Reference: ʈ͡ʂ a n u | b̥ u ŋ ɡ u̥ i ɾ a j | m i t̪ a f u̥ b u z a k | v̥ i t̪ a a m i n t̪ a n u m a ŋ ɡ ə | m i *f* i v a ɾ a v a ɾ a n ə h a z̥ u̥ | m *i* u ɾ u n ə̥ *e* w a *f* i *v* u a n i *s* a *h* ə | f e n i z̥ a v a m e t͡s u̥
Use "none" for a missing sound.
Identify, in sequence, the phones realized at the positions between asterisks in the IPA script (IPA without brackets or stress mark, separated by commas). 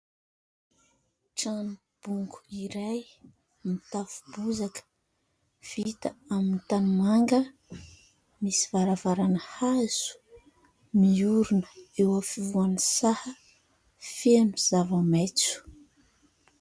s, i, e, f, v, s, h